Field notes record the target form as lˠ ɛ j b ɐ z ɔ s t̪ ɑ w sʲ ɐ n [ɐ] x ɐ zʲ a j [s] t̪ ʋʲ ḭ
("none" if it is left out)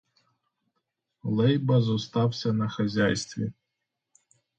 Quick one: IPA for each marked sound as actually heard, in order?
ɐ, s

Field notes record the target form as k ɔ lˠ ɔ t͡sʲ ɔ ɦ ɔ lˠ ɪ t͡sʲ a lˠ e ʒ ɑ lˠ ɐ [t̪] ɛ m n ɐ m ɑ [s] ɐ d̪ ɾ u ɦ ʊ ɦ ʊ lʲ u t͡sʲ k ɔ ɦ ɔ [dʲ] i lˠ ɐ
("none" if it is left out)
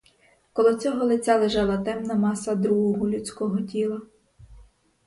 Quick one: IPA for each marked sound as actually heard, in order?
t̪, s, tʲ

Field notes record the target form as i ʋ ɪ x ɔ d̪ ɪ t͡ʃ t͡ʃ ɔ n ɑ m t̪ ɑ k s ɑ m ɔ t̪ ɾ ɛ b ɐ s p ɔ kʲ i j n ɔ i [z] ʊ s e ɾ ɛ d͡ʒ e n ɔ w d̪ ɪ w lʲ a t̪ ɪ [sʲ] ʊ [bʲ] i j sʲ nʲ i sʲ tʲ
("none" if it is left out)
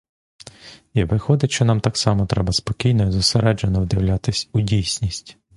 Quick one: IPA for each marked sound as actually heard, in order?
z, sʲ, dʲ

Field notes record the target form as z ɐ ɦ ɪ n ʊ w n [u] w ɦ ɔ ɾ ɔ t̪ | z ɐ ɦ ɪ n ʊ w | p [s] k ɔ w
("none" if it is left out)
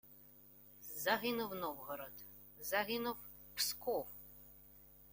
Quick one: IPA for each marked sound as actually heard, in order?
ɔ, s

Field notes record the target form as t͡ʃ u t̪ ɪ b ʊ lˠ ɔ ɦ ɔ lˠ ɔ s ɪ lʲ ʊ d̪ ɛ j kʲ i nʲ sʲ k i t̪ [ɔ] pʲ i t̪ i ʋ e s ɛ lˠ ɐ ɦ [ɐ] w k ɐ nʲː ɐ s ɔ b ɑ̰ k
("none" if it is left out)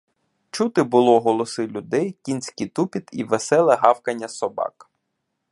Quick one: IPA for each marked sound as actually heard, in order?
u, ɑ

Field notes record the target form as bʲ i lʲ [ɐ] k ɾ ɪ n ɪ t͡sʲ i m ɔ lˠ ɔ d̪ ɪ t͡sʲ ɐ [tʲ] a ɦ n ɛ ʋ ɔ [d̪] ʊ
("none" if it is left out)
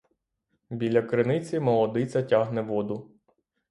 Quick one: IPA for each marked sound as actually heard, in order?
ɐ, tʲ, d̪

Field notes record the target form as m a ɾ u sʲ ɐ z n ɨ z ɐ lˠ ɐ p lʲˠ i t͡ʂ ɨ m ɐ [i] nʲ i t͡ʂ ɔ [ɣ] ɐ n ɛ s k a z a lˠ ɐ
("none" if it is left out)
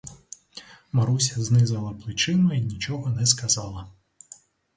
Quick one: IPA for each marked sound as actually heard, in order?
i, ɣ

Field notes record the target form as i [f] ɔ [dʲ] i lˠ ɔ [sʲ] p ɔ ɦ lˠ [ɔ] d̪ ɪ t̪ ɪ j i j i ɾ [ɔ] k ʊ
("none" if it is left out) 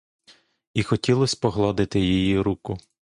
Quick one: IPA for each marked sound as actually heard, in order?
x, tʲ, sʲ, ɔ, u

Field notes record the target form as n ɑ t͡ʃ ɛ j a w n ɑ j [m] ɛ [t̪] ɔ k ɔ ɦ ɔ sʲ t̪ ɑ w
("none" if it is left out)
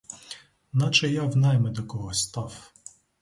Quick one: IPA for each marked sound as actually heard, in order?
m, d̪

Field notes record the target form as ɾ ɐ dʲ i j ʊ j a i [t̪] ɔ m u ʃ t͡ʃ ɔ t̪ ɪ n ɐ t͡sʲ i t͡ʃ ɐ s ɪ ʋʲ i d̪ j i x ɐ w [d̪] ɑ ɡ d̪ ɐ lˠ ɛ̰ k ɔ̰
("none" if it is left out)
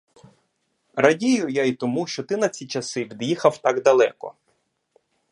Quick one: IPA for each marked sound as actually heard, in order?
t̪, t̪

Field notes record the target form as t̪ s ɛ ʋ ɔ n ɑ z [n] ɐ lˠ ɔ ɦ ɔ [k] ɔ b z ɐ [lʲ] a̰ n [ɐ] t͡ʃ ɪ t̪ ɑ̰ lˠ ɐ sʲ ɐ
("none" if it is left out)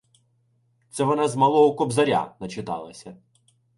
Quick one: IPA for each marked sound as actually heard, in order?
m, k, ɾʲ, ɐ

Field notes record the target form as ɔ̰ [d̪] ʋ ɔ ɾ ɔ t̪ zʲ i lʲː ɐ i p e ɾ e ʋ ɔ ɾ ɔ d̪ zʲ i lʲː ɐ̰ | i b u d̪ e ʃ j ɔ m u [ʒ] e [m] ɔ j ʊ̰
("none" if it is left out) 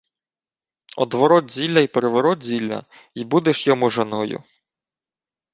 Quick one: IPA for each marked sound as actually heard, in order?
d̪, ʒ, n

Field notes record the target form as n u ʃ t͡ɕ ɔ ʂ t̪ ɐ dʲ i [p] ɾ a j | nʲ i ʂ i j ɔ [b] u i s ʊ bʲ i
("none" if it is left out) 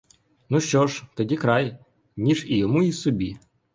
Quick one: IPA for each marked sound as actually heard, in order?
k, m

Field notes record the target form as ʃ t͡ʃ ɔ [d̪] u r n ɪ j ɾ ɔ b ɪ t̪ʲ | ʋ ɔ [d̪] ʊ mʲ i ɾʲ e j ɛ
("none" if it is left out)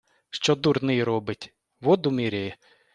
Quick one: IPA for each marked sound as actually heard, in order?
d̪, d̪

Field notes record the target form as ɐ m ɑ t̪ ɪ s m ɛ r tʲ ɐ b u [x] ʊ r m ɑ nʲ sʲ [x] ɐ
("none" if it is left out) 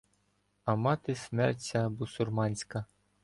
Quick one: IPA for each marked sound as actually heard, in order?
s, k

